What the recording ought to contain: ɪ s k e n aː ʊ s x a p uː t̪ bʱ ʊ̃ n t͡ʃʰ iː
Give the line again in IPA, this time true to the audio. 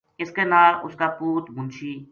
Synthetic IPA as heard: ɪ s k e n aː ʊ s k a p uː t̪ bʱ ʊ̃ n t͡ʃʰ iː